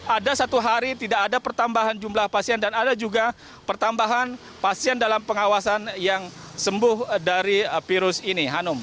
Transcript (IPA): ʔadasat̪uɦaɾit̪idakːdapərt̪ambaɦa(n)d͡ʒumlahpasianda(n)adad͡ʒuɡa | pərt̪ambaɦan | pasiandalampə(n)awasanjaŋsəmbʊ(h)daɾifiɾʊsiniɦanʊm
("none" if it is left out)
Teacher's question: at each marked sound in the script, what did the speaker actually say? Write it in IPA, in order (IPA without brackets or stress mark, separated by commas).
n, n, ŋ, h